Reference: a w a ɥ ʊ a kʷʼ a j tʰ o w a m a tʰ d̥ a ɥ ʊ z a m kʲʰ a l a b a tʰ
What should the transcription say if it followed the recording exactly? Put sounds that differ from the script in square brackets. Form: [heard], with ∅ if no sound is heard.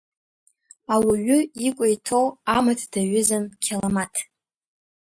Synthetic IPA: a w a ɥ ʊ [i] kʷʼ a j tʰ o w a m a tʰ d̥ a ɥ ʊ z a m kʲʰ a l a [m] a tʰ